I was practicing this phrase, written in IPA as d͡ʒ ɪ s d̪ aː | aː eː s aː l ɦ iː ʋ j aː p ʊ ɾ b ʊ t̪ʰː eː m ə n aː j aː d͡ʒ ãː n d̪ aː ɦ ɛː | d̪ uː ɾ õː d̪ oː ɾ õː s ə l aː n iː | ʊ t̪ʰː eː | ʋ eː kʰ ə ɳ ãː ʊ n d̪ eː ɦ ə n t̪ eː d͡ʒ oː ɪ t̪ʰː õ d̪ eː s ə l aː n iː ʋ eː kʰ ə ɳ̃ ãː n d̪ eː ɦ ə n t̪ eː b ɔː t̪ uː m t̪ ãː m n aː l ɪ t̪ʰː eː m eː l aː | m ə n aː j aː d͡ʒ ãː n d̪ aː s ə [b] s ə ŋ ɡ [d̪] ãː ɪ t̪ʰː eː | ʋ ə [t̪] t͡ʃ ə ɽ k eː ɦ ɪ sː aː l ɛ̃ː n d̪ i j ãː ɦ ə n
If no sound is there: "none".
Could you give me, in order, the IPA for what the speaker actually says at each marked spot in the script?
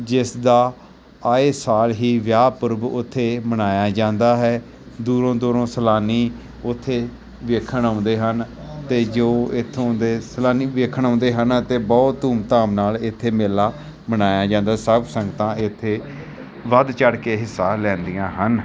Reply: b, t̪, d̪

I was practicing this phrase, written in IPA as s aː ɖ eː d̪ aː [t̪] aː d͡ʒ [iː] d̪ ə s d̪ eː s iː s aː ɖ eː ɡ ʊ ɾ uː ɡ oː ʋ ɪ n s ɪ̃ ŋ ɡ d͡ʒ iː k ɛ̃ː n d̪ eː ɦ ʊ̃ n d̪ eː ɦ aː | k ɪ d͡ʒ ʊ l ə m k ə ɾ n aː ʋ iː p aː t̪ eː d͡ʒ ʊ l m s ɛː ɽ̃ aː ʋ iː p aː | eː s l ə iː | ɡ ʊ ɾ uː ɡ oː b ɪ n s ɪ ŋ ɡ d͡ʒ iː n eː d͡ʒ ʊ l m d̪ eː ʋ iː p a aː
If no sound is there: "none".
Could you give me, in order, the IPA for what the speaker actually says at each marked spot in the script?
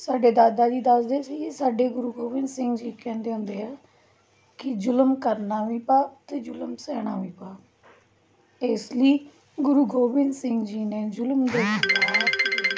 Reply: d̪, iː

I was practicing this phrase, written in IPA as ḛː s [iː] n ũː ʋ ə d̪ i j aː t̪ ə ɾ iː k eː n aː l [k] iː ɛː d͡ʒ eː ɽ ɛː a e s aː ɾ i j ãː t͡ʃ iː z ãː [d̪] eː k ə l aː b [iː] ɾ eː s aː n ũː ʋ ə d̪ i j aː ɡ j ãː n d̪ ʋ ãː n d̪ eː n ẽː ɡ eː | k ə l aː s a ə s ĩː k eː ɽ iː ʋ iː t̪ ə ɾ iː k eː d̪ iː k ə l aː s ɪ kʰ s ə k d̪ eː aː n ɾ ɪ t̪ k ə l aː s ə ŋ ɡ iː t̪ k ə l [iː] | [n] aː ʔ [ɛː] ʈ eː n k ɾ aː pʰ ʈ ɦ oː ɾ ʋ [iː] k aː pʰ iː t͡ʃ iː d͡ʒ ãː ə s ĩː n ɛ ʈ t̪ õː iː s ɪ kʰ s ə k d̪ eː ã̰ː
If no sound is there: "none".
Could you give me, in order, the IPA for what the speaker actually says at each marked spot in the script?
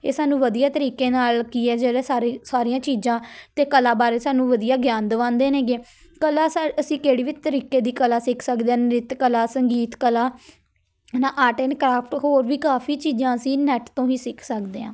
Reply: aː, k, t̪, aː, aː, n, aː, iː

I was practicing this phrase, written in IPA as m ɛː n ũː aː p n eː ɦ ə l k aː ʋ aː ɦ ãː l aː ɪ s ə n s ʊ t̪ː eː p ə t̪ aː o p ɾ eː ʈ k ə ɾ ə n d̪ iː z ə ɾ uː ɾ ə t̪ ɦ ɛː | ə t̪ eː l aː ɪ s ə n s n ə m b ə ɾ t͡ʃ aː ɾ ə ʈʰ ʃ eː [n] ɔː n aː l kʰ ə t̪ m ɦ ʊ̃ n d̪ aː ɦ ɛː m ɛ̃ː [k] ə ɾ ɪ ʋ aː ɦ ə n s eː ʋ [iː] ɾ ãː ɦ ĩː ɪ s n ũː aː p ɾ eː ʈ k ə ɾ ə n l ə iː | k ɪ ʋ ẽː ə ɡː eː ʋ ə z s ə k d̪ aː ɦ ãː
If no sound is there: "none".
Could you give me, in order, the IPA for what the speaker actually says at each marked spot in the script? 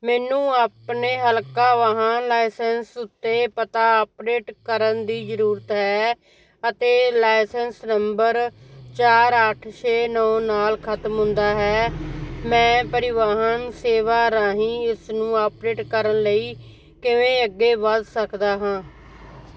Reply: n, p, aː

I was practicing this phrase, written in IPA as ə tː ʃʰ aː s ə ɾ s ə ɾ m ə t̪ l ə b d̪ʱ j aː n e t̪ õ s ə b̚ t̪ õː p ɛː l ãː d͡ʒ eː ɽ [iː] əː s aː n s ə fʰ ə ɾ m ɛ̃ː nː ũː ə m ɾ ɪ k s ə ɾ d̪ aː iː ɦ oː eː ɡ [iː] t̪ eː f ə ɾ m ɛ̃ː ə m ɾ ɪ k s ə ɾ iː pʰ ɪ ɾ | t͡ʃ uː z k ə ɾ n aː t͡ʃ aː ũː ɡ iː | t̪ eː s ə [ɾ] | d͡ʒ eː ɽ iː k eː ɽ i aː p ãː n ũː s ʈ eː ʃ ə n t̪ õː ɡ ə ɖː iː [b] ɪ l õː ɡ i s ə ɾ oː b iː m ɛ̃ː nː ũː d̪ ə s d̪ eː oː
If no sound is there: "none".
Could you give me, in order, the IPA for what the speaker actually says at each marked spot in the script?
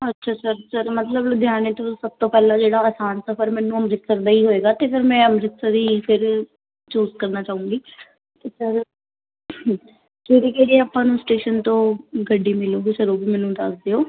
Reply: aː, aː, ɾ, m

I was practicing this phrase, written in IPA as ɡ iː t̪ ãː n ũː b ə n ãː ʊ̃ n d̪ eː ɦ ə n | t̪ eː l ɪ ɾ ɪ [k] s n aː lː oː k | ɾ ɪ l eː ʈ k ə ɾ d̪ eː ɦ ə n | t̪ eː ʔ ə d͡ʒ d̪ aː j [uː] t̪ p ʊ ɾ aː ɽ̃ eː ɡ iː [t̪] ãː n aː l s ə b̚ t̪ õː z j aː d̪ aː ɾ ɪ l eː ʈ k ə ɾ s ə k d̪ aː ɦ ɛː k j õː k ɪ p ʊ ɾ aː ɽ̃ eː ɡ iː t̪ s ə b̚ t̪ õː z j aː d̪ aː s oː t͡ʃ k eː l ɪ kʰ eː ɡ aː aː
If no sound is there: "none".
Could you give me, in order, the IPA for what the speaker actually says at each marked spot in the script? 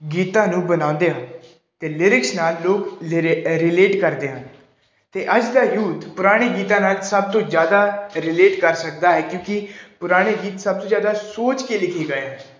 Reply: k, uː, t̪

